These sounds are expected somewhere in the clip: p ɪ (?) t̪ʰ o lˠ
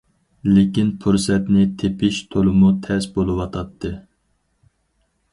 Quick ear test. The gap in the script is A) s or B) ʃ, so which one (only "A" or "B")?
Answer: B